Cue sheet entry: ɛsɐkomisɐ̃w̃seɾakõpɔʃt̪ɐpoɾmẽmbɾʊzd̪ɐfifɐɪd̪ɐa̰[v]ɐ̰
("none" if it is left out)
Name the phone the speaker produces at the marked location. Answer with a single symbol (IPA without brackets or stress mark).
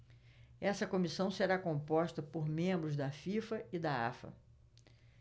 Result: f